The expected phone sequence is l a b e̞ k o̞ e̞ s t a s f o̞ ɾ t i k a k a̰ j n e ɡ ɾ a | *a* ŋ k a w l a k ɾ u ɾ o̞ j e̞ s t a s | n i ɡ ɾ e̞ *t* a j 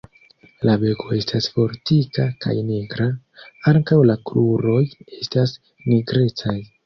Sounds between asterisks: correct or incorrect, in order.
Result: correct, incorrect: t͡s

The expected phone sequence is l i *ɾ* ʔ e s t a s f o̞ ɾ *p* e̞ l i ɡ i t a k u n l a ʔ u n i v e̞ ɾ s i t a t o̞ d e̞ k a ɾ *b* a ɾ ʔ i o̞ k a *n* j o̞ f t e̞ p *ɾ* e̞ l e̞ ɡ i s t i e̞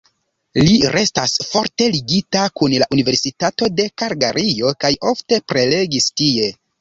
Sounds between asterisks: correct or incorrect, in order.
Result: correct, incorrect: t, incorrect: ɡ, incorrect: none, correct

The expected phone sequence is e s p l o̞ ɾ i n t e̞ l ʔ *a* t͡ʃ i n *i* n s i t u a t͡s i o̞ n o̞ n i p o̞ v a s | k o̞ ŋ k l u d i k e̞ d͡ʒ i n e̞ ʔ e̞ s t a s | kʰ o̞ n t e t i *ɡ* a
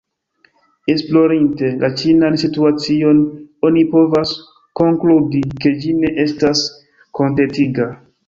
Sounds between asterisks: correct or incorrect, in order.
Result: correct, incorrect: a, correct

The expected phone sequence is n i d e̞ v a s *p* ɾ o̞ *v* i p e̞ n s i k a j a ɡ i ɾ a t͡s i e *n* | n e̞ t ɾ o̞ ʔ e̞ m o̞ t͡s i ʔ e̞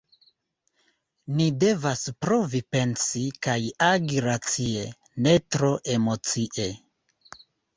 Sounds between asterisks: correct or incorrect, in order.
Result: correct, correct, incorrect: none

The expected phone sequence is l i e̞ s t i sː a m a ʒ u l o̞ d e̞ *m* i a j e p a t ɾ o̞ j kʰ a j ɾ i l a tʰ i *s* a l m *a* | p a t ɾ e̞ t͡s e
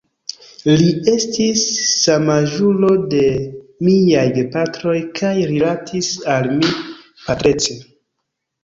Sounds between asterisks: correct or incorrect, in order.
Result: correct, correct, incorrect: i

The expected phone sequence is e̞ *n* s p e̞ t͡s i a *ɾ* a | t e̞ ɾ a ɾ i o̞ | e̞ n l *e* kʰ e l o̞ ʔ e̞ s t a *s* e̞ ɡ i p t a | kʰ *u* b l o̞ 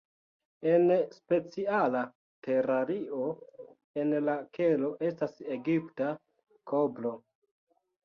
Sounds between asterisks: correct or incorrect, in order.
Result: correct, incorrect: l, incorrect: a, correct, incorrect: o

